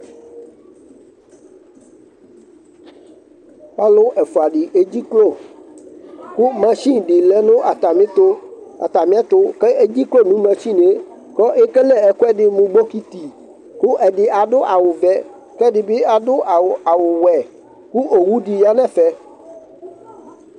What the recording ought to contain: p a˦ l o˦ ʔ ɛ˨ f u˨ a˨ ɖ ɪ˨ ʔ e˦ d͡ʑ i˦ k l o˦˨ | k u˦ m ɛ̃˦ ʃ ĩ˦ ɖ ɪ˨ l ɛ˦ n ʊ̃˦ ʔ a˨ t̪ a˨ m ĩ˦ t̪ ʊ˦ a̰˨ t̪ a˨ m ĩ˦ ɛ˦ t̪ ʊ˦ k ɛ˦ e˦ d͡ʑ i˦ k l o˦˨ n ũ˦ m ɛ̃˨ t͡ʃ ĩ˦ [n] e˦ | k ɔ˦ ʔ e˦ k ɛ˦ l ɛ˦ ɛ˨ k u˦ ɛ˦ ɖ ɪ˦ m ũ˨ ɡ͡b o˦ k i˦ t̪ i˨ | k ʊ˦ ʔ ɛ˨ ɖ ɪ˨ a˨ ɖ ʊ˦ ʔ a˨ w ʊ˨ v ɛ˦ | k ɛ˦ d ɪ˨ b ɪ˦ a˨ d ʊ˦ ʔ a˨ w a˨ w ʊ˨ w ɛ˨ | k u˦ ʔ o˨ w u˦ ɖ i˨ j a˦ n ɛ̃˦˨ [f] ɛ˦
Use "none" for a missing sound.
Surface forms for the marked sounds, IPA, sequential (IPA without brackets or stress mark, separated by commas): n, f